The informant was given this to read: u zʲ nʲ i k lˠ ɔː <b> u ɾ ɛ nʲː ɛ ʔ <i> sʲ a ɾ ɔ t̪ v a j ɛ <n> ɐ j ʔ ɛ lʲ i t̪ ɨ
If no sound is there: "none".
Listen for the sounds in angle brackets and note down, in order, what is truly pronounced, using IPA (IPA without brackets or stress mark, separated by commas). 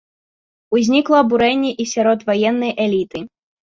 b, i, nː